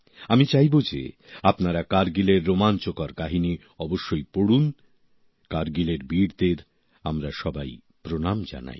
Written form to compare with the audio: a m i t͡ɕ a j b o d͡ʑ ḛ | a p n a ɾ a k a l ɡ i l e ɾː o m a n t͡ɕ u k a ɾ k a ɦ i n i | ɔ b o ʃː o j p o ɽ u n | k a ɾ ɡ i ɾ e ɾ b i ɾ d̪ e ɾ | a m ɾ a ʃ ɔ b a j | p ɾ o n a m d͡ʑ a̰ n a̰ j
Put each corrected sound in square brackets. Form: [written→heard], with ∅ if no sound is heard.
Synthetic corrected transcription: a m i t͡ɕ a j b o d͡ʑ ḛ | a p n a ɾ a k a [l→ɾ] ɡ i l e ɾː o m a n t͡ɕ [u→o] k a ɾ k a ɦ i n i | ɔ b o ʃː o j p o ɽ u n | k a ɾ ɡ i [ɾ→l] e ɾ b i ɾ d̪ e ɾ | a m ɾ a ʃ ɔ b a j | p ɾ o n a m d͡ʑ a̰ n a̰ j